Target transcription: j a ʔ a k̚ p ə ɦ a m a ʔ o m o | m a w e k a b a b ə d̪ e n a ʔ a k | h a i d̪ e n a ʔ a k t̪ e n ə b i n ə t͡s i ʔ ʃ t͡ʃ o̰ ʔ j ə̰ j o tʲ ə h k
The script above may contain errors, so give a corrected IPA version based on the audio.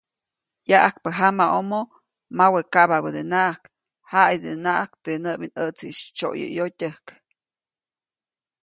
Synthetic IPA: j a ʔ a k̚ p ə ɦ a m a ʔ o m o | m a w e k a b a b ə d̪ e n a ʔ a k | h a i d̪ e n a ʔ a k t̪ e n ə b i n ə t͡s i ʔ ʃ t͡ʃ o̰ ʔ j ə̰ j o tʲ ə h k